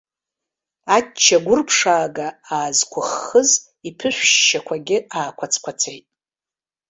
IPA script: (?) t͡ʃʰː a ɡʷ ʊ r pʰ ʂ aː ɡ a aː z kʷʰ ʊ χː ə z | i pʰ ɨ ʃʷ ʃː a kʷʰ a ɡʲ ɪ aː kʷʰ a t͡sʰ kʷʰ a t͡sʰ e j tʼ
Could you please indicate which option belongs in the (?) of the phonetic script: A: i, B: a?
B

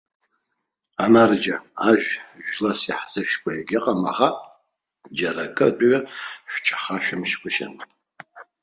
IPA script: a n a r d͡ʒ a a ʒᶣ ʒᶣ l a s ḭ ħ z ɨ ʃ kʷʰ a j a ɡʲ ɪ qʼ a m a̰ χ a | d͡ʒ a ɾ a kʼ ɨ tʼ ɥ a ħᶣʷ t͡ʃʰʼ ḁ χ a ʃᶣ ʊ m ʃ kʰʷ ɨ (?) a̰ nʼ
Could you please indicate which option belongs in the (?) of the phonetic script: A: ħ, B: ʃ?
B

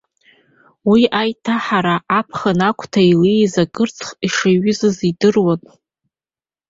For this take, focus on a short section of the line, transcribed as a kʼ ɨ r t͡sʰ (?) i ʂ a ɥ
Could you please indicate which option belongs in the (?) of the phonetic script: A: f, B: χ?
B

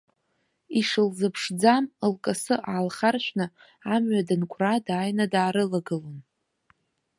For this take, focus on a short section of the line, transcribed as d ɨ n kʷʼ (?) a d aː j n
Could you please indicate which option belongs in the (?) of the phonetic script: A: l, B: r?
B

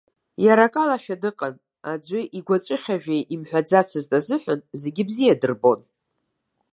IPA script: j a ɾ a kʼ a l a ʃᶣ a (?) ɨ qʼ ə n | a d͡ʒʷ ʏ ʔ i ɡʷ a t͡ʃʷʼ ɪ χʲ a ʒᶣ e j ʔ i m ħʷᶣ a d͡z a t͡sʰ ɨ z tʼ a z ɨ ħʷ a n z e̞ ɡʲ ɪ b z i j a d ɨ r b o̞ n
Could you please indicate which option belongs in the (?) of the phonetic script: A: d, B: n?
A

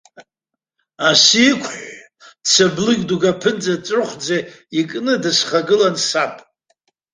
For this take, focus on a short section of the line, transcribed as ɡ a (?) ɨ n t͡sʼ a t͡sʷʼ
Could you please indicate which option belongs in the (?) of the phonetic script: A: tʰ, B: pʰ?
B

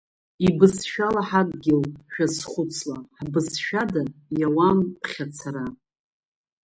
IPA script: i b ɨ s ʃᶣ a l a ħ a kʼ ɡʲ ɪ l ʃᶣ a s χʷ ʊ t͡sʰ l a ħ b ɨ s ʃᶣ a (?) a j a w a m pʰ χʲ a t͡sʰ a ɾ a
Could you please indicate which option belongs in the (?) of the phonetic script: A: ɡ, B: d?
B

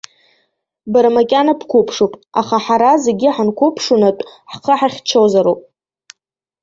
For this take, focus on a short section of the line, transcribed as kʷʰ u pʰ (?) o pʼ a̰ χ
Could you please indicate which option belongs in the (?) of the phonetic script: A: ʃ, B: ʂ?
B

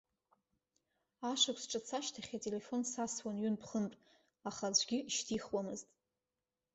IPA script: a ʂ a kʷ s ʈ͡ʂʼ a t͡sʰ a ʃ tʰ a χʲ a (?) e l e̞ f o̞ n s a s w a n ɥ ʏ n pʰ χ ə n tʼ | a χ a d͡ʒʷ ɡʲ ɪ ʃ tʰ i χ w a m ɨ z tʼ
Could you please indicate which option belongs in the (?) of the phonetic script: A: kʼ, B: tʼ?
B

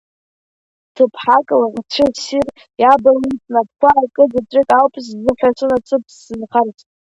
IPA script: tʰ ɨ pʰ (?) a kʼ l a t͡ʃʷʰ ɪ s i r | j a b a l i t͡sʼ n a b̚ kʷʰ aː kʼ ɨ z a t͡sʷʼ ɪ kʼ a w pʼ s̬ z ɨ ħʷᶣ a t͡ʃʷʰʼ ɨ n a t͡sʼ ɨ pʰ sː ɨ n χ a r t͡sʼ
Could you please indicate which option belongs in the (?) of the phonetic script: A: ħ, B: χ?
A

